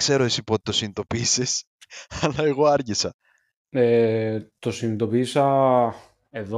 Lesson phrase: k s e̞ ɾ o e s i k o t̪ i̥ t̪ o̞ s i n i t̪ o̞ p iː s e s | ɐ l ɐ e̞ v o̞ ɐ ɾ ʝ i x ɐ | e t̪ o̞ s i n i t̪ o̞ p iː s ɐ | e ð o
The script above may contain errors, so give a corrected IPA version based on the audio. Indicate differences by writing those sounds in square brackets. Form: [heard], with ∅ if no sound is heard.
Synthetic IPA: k s e̞ ɾ o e s i [p] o t̪ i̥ t̪ o̞ s i n i t̪ o̞ p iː s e s | ɐ l ɐ e̞ [ɣ] o̞ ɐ ɾ ʝ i [s] ɐ | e t̪ o̞ s i n i t̪ o̞ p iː s ɐ | e ð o